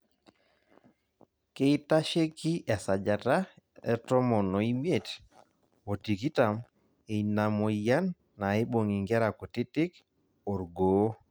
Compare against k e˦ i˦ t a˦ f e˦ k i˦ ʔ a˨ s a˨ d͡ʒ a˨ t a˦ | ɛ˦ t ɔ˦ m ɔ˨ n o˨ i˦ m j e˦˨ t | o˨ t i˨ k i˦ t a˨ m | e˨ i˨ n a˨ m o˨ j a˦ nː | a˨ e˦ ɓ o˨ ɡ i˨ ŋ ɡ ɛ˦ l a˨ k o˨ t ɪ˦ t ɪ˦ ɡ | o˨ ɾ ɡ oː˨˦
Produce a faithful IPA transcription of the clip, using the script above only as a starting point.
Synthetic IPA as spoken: k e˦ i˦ t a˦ ʃ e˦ k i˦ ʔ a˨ s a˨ d͡ʒ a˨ t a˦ | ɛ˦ t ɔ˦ m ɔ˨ n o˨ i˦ m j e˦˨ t | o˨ t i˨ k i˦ t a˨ m | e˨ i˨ n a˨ m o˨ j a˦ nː | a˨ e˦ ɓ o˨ ŋ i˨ ŋ ɡ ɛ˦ ɾ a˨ k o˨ t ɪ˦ t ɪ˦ k | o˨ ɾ ɡ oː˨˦